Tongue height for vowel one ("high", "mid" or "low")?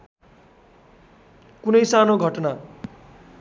high